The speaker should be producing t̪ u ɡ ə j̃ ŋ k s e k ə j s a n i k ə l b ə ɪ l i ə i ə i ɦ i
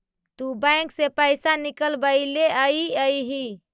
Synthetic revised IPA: t̪ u b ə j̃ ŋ k s e p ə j s a n i k ə l b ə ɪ l e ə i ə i ɦ i